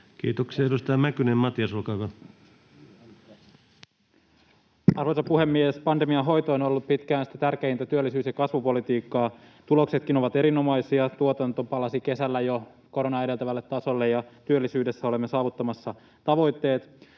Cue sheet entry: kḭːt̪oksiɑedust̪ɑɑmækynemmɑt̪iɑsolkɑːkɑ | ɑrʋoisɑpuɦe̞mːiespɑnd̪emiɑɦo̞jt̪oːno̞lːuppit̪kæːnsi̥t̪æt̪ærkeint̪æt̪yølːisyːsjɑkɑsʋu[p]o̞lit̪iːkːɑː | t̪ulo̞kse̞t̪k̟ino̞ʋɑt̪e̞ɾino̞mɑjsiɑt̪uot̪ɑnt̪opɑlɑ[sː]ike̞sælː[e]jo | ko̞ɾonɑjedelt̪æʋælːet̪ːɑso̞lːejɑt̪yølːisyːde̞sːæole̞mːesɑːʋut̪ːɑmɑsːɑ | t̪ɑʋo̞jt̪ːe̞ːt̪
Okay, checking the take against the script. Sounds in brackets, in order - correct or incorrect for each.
correct, incorrect, incorrect

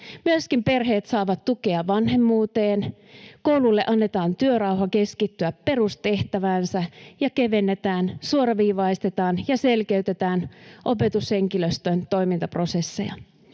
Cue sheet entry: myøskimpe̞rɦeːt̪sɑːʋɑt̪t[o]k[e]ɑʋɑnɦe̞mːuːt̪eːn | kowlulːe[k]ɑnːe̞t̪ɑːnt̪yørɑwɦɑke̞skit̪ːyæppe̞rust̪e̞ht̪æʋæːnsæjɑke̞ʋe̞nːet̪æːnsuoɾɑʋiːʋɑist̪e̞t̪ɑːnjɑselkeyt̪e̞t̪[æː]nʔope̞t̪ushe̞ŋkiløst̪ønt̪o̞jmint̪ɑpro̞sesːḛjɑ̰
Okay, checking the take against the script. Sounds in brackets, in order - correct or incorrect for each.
incorrect, correct, incorrect, correct

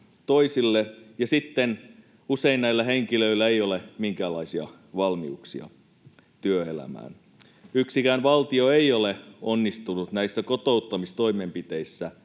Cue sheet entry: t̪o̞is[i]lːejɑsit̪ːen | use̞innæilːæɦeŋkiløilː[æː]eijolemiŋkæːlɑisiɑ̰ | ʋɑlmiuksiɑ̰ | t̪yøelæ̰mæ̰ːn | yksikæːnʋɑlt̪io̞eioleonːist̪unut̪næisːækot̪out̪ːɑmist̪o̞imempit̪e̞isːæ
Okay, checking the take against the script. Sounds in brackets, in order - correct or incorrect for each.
correct, incorrect

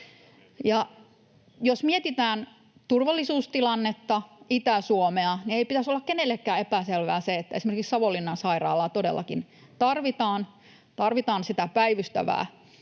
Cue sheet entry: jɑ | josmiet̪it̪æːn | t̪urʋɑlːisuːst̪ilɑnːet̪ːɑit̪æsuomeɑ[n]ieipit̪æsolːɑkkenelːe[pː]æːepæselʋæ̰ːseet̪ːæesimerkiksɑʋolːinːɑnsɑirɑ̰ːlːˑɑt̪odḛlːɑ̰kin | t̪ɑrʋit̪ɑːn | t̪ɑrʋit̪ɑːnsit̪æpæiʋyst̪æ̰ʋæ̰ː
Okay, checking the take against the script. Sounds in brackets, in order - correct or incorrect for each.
correct, incorrect

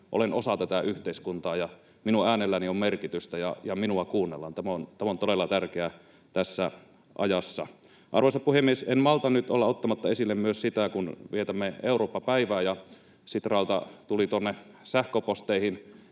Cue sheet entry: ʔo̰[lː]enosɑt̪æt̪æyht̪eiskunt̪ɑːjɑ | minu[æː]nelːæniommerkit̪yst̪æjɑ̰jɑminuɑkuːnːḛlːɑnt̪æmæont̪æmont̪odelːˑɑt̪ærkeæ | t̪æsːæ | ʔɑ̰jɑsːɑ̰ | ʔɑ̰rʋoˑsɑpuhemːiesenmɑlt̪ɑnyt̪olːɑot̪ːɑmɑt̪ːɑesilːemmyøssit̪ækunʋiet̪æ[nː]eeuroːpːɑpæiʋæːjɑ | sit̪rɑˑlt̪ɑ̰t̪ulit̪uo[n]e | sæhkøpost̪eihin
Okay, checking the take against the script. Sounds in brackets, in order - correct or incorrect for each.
incorrect, correct, incorrect, incorrect

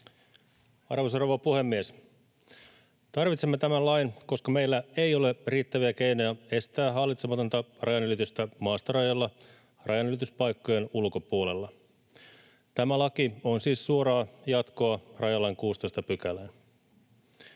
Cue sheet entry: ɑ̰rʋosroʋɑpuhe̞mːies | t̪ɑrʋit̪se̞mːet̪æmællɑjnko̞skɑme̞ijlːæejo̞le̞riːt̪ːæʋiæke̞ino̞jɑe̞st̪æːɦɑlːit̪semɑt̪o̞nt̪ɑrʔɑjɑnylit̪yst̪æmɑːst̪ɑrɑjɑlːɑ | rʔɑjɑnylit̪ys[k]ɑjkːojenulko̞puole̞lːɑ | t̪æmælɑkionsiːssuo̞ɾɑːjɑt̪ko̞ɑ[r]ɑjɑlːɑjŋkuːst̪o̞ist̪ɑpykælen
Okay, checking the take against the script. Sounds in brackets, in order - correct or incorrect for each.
incorrect, correct

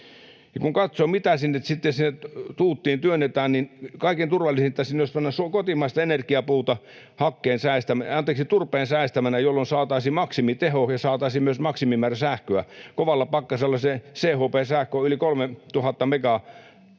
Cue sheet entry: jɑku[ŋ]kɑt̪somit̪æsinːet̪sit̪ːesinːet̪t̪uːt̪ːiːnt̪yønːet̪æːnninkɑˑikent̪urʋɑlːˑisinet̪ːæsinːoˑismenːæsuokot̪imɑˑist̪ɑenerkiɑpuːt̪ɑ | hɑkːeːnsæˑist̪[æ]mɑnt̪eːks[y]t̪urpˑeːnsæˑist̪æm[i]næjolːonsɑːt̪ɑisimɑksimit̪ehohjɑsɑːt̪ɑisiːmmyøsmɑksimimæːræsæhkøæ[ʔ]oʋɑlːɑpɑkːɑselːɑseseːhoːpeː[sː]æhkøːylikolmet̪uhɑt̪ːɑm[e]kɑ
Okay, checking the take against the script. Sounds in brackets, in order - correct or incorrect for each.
correct, correct, incorrect, incorrect, incorrect, incorrect, correct

